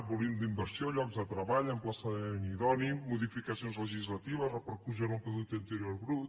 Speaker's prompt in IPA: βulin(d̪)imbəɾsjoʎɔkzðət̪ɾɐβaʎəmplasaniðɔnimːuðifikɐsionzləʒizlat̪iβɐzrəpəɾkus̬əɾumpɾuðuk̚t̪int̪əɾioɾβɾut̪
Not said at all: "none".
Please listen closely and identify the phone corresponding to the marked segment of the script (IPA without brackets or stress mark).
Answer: d̪